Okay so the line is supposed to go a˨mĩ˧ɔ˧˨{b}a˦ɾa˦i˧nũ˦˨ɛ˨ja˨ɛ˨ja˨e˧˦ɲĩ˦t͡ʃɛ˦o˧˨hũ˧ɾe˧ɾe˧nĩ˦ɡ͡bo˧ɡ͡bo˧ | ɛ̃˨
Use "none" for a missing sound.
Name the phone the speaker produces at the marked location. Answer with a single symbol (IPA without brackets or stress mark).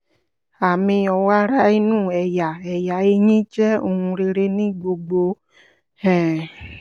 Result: w